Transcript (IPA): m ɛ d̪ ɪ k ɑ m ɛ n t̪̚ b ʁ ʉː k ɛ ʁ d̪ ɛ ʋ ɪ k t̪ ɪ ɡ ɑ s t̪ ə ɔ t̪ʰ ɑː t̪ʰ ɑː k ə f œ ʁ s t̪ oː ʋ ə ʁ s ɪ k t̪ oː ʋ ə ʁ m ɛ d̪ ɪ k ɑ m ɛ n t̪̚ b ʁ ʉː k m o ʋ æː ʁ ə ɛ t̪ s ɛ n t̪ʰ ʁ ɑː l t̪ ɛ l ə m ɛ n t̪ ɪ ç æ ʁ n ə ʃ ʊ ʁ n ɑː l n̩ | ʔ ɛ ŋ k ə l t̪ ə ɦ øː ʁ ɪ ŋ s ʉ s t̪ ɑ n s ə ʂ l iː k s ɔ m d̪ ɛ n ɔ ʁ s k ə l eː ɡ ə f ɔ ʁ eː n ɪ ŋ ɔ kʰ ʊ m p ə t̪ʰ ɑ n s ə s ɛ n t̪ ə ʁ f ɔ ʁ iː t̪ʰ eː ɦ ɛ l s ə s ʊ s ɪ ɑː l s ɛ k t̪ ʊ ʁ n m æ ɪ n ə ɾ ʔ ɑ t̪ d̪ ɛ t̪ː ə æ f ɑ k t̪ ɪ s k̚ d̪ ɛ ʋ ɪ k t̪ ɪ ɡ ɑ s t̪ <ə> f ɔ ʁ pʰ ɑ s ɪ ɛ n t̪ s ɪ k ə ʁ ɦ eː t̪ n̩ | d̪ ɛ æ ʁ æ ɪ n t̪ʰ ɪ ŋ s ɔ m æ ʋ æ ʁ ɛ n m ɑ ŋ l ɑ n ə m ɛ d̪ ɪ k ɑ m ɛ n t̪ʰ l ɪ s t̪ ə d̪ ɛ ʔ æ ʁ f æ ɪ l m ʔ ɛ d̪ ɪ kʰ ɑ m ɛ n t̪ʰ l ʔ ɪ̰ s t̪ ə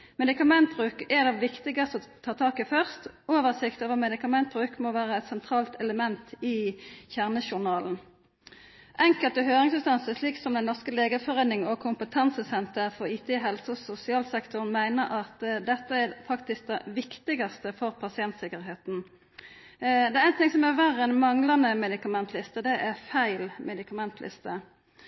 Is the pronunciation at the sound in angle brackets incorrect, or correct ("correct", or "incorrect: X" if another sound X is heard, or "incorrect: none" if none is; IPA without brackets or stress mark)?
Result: correct